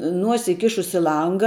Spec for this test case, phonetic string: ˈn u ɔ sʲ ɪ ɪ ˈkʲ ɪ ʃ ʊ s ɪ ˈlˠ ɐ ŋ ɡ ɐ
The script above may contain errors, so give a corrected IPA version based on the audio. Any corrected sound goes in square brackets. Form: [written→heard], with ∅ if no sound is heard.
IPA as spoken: ˈn u ɔ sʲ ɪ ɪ ˈkʲ ɪ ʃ ʊ s ɪ ˈlˠ ɐ ŋ ɡ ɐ